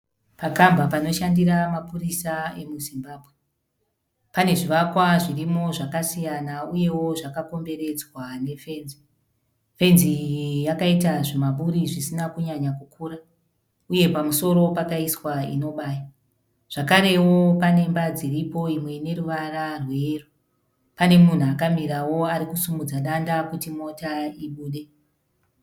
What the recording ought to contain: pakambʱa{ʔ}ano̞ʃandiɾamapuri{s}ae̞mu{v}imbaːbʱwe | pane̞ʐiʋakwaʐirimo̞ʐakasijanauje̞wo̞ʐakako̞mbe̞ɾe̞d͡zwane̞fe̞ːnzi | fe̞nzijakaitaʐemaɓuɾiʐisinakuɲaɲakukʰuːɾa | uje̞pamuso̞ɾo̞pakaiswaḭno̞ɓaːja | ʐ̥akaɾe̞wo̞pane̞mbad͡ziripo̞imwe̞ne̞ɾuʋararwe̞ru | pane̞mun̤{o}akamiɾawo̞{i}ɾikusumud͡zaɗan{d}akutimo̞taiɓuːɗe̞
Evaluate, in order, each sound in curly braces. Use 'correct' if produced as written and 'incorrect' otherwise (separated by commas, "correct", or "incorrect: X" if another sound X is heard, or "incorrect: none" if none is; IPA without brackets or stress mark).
incorrect: p, correct, incorrect: z, incorrect: u, incorrect: a, correct